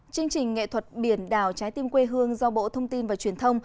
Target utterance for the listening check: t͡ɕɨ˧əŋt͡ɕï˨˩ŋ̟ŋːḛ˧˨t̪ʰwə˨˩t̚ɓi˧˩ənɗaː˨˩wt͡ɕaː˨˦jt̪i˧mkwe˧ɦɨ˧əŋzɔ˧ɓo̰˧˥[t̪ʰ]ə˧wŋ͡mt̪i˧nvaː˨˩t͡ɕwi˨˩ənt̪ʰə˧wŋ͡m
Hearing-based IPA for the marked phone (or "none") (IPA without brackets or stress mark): t̪ʰ